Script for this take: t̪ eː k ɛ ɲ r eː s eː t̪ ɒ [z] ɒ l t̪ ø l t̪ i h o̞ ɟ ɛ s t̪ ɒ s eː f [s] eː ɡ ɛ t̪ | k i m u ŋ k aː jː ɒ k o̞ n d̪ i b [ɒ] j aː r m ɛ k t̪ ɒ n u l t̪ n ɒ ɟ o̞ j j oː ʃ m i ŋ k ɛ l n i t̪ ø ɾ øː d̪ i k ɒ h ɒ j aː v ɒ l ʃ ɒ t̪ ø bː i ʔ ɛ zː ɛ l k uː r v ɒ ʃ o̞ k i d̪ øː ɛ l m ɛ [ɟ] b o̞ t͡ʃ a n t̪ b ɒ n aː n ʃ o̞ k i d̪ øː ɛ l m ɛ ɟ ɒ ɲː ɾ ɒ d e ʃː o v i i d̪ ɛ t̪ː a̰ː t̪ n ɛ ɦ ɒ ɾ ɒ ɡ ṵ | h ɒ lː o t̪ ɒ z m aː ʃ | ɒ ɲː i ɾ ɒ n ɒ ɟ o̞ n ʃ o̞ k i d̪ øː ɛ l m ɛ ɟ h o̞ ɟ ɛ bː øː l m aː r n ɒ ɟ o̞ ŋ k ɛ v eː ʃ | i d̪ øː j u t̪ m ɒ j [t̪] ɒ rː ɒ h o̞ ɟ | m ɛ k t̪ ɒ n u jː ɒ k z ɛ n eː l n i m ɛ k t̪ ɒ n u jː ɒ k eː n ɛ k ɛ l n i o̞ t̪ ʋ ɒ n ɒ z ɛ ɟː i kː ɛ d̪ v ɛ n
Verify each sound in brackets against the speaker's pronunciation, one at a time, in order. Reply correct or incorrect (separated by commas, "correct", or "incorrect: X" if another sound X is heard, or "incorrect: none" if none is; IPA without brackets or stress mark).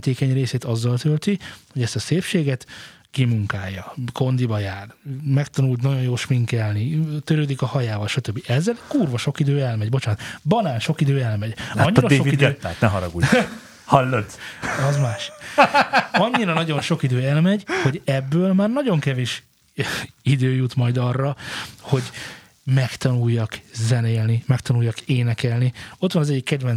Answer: incorrect: zː, incorrect: ʃ, correct, correct, incorrect: d̪